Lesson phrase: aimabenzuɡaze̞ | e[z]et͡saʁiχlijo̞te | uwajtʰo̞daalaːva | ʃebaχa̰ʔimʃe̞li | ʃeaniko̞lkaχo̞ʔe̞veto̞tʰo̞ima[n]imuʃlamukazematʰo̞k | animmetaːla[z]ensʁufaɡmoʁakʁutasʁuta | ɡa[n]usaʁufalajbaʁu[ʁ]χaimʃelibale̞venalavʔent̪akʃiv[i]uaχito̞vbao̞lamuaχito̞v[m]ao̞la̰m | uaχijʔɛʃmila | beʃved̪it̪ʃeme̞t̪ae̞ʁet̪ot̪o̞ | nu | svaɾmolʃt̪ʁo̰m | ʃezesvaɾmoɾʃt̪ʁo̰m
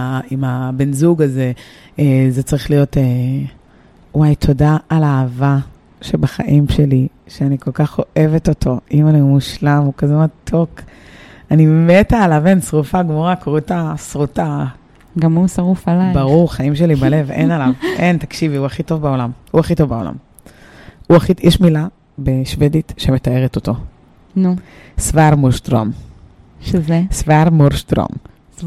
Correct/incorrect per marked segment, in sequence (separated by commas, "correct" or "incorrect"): correct, correct, incorrect, incorrect, correct, correct, incorrect